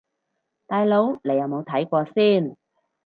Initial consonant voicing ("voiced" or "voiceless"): voiceless